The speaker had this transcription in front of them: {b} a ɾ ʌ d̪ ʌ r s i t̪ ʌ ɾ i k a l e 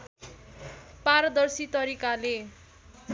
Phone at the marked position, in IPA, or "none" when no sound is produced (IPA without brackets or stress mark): p